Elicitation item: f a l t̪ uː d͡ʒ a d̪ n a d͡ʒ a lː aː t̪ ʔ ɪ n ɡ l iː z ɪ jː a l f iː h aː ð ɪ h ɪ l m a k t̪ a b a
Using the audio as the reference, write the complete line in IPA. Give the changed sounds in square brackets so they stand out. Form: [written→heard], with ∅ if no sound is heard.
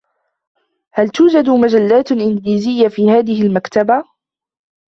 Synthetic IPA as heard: [f→h] a l t̪ uː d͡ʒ a d̪ [n→m] a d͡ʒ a lː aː t̪ ʔ ɪ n ɡ l iː z ɪ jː a [l→∅] f iː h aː ð ɪ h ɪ l m a k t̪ a b a